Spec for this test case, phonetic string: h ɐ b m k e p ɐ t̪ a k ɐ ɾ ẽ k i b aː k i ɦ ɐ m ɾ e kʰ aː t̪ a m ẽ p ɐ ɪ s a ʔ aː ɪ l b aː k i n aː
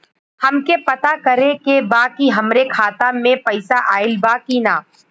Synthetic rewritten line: h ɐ m k e p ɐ t̪ a k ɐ ɾ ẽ k e b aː k i ɦ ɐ m ɾ e kʰ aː t̪ a m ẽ p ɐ ɪ s a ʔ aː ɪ l b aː k i n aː